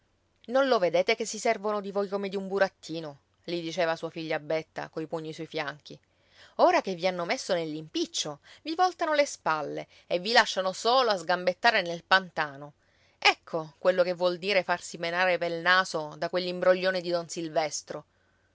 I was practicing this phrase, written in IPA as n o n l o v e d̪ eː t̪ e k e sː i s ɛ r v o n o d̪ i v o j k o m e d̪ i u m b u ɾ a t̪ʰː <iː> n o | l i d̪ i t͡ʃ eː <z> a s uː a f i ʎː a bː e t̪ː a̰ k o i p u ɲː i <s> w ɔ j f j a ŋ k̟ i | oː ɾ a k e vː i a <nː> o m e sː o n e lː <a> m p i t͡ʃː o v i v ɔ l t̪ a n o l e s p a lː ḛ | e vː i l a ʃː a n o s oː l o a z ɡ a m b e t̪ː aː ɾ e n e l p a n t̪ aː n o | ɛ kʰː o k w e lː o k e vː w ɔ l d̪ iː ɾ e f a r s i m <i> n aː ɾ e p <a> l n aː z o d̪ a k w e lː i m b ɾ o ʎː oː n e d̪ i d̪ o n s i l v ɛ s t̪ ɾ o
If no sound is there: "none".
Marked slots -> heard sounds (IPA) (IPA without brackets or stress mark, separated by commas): iː, v, s, nː, i, e, e